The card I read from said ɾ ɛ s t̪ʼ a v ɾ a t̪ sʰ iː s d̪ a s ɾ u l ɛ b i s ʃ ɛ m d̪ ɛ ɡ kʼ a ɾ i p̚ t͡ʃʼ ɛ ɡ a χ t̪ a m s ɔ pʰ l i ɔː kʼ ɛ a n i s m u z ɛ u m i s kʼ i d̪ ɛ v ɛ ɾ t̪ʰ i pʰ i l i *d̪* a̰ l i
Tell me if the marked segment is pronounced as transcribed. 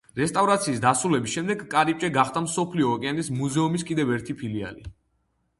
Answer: no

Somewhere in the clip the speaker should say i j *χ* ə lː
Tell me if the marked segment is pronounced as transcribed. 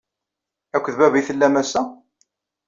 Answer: no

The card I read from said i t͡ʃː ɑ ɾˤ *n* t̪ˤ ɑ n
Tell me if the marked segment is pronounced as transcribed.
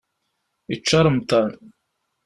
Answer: no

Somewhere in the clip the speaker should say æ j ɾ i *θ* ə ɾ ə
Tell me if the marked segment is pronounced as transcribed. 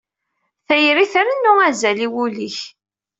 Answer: yes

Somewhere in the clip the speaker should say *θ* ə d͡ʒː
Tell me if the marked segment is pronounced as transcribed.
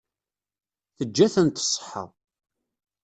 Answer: yes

